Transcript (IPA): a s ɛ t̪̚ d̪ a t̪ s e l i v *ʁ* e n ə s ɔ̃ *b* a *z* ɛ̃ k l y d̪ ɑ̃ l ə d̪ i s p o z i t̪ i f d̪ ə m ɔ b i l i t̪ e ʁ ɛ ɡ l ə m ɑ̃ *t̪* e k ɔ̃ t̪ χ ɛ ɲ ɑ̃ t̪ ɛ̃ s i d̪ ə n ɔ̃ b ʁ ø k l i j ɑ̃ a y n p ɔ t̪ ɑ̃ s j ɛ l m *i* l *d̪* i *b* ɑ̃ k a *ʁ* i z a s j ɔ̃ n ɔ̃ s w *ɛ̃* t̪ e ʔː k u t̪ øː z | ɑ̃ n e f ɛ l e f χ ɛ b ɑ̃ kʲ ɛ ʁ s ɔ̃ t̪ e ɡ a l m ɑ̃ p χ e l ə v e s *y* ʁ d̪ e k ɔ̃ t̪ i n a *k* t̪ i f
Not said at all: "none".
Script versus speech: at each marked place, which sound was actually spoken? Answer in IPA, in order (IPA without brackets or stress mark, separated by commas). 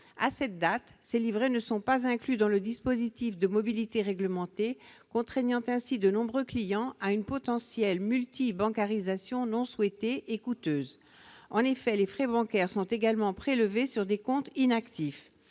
ʁ, p, z, t̪, y, t̪, b, ʁ, ɛ, y, k